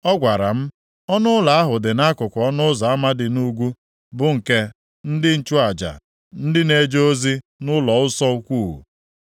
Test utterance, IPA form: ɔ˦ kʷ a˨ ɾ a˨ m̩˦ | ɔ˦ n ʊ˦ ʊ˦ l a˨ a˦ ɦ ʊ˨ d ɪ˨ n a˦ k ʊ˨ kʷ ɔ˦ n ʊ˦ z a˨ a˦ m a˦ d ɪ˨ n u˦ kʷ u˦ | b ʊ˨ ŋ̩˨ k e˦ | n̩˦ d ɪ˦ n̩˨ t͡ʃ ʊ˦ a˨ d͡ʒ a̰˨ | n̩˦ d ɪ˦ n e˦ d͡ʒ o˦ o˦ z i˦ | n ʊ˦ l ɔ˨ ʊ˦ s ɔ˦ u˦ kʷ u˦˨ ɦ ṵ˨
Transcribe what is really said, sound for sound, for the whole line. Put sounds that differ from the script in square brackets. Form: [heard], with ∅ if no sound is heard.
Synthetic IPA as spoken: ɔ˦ [ɡʷ] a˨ ɾ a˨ m̩˦ | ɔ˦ n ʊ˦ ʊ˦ l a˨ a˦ ɦ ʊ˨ d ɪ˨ n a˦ k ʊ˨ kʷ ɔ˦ n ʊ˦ z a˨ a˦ m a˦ d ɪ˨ n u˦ [ɡʷ] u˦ | b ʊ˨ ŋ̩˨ k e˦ | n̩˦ d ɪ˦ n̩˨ t͡ʃ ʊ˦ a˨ d͡ʒ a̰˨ | n̩˦ d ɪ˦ n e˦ d͡ʒ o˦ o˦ z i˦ | n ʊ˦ l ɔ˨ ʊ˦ s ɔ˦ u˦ kʷ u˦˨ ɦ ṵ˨